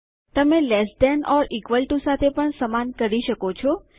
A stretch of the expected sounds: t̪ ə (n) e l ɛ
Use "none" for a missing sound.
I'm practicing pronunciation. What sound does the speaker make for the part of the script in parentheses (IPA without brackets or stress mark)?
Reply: m